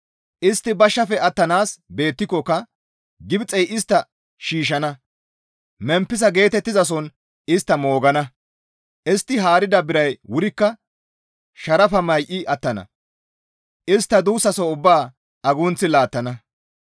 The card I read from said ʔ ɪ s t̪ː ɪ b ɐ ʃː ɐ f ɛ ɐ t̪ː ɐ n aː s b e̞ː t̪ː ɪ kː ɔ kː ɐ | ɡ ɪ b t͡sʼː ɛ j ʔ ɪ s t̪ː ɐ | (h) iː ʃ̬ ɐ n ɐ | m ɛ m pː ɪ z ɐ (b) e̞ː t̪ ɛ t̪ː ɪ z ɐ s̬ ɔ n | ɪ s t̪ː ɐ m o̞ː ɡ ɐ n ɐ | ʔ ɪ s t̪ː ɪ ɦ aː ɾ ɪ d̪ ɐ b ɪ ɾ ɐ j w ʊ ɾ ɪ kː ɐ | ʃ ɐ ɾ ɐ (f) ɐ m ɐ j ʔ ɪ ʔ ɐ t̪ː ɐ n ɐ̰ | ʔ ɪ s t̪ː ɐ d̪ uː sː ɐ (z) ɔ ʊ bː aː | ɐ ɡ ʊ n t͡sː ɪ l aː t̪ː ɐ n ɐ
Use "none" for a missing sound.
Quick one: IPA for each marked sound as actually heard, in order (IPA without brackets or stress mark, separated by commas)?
ʃ, ɡ, f, s